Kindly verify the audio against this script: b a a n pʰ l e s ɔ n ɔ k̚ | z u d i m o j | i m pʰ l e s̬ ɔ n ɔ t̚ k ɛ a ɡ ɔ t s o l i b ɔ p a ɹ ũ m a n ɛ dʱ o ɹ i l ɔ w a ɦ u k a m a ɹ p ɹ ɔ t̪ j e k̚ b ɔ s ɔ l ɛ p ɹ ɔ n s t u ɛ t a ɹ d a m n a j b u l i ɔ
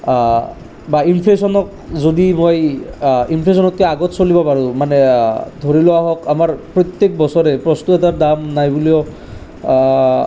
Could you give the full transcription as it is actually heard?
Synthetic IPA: b a i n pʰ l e s ɔ n ɔ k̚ | z o d i m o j | i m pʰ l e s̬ ɔ n ɔ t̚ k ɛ a ɡ ɔ t s o l i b ɔ p a ɹ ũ m a n ɛ dʱ o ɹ i l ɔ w a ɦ ɔ k a m a ɹ p ɹ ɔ t̪ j e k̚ b ɔ s ɔ ɹ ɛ p ɹ ɔ s t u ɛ t a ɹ d a m n a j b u l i ɔ

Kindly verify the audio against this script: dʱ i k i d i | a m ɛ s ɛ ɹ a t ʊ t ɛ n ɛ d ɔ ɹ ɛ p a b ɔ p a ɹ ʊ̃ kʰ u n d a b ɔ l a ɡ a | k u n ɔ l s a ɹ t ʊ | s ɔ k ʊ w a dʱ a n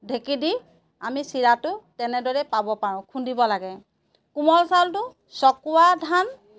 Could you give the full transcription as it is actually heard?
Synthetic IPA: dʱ e k i d i | a m i s i ɹ a t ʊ t ɛ n ɛ d ɔ ɹ ɛ p a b ɔ p a ɹ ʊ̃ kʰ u n d i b ɔ l a ɡ ɛ | k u m ɔ l s a l t ʊ | s ɔ k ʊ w a dʱ a n

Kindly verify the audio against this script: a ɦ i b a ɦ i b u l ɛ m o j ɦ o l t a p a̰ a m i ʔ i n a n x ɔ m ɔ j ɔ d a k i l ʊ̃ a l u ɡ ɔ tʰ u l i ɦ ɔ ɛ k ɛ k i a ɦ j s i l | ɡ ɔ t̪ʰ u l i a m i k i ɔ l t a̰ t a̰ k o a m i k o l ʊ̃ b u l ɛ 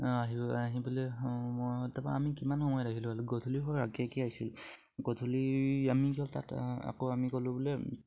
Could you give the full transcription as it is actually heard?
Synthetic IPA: a ɦ i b a ɦ i b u l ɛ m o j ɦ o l t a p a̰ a m i k i m a n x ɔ m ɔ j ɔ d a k i l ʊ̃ a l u ɡ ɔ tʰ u l i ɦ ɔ a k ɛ k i a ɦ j s i l | ɡ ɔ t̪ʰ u l i a m i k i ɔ l t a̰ t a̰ k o a m i k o l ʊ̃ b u l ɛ

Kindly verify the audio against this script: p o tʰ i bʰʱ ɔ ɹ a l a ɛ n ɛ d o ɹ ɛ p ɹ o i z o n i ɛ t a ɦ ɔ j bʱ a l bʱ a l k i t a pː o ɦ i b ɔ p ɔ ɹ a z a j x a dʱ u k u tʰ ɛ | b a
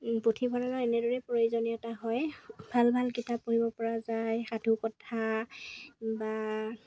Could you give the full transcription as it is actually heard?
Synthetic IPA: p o tʰ i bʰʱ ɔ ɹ a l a ɛ n ɛ d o ɹ ɛ p ɹ o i z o n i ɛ t a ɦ ɔ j bʱ a l bʱ a l k i t a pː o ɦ i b ɔ p ɔ ɹ a z a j x a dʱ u k ɔ tʰ a | b a

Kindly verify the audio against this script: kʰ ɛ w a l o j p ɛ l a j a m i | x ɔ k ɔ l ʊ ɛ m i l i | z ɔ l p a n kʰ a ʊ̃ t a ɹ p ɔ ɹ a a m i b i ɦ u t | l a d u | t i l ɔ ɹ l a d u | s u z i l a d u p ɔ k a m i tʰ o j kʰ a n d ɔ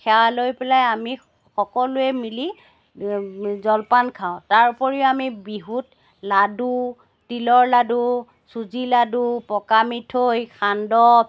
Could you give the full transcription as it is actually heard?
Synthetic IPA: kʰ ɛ w a l o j p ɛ l a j a m i | x ɔ k ɔ l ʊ ɛ m i l i | z ɔ l p a n kʰ a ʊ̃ t a ɹ p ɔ ɹ i a m i b i ɦ u t | l a d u | t i l ɔ ɹ l a d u | s u z i l a d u p ɔ k a m i tʰ o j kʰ a n d ɔ

